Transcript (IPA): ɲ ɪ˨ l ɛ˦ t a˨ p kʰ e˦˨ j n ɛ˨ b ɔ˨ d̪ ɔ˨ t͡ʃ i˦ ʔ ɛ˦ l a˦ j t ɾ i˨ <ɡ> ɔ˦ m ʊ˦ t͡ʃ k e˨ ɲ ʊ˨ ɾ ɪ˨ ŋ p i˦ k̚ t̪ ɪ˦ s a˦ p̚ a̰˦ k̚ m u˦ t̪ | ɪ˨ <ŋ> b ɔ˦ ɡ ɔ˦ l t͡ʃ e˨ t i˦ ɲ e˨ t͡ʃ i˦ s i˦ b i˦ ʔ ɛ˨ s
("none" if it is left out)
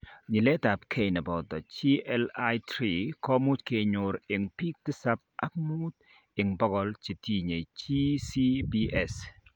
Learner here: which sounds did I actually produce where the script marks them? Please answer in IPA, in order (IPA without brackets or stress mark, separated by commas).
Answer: k, ŋ